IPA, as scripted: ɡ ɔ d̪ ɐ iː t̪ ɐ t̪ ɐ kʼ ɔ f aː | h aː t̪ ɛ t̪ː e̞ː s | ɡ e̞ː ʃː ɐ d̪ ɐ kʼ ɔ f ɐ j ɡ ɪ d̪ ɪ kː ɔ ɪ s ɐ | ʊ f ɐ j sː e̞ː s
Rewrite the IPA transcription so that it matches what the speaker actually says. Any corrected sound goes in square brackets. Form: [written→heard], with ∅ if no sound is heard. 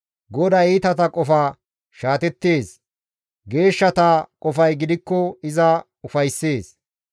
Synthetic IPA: ɡ ɔ d̪ ɐ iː t̪ ɐ t̪ ɐ kʼ ɔ f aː | [h→ʃ] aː t̪ ɛ t̪ː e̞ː s | ɡ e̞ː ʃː ɐ [d̪→t̪] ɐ kʼ ɔ f ɐ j ɡ ɪ d̪ ɪ kː ɔ ɪ [s→z] ɐ | ʊ f ɐ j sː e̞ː s